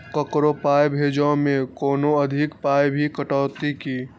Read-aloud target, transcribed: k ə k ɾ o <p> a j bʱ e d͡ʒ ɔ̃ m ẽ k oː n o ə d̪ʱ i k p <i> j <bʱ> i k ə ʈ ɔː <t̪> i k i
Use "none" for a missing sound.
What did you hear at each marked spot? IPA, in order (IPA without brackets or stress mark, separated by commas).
p, a, bʱ, t̪